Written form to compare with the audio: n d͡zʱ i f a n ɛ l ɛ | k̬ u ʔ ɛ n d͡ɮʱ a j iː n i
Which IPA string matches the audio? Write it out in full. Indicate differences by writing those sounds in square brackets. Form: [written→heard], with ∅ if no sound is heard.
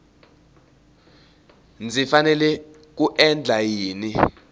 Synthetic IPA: n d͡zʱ i f a n ɛ l ɛ | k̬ u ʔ ɛ n d͡ɮʱ a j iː n i